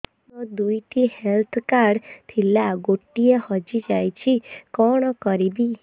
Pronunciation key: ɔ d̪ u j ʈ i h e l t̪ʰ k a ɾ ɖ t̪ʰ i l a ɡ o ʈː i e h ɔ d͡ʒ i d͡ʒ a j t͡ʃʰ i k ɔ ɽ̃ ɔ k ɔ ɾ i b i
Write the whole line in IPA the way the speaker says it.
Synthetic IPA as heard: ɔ d̪ u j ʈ i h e l t̪ʰ k a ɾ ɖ t̪ʰ i l a ɡ o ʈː i e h ɔ d͡ʒ i d͡ʒ a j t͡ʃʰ i k ɔ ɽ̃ ɔ k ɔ ɾ i b i